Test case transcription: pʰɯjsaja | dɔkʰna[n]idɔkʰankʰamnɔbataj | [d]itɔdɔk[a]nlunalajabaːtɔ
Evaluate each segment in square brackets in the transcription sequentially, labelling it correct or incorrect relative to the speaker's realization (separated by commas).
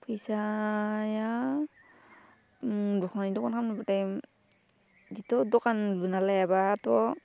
correct, correct, correct